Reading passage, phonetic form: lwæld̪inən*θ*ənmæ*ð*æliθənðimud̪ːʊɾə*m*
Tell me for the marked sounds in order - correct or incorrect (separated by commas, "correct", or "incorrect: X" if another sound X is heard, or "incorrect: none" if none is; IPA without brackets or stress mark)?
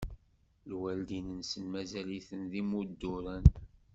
incorrect: s, incorrect: z, incorrect: n